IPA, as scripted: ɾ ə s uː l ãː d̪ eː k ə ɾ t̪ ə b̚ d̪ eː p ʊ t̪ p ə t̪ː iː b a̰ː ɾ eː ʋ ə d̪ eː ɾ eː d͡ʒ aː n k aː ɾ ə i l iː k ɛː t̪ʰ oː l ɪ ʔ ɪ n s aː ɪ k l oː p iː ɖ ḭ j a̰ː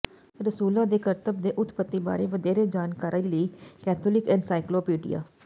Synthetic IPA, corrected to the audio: ɾ ə s uː l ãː d̪ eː k ə ɾ t̪ ə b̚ d̪ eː ʔ ʊ t̪ p ə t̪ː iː b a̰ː ɾ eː ʋ ə d̪ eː ɾ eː d͡ʒ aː n k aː ɾ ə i l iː k ɛː t̪ʰ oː l ɪ k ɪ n s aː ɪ k l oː p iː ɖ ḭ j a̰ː